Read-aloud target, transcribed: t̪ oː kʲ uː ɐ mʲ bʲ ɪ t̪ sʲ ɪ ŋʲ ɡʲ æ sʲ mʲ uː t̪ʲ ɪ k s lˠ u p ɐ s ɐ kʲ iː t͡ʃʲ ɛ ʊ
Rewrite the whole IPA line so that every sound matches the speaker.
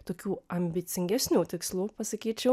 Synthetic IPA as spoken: t̪ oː kʲ uː ɐ mʲ bʲ ɪ t̪ sʲ ɪ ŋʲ ɡʲ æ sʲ nʲ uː t̪ʲ ɪ k s lˠ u p ɐ s ɐ kʲ iː t͡ʃʲ ɛ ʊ